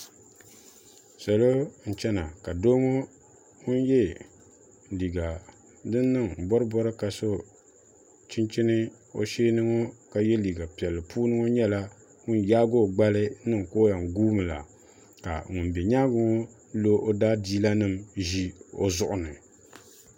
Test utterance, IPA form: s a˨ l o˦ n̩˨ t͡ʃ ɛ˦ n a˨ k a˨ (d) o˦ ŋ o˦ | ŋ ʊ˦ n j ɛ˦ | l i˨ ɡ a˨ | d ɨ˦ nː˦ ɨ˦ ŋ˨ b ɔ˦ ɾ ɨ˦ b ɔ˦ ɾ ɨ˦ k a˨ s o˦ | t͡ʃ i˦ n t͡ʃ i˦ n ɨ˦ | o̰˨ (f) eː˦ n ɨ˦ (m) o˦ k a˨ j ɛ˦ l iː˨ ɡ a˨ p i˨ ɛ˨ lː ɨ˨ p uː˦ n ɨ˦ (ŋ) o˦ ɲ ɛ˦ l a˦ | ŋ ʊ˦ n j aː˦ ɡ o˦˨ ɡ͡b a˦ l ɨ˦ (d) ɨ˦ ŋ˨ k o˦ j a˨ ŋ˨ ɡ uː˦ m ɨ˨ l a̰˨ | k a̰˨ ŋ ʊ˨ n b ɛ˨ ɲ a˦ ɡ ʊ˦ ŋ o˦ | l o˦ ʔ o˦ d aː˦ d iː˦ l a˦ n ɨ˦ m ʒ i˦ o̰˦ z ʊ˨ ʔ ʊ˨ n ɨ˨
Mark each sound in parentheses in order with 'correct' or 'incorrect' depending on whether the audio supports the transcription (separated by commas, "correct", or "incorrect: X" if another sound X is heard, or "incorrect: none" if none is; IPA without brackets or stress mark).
correct, incorrect: ʃ, incorrect: ŋ, correct, incorrect: n